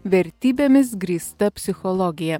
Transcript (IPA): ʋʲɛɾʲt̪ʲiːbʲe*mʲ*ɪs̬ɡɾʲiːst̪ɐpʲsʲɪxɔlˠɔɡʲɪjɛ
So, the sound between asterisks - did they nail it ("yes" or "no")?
yes